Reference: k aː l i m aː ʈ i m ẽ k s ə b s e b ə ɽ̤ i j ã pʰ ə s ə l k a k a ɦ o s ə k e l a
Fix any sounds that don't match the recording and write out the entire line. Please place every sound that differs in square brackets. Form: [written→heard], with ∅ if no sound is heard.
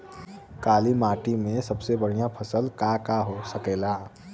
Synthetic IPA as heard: k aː l i m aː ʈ i m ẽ [k→∅] s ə b s e b ə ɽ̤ i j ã pʰ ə s ə l k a k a ɦ o s ə k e l a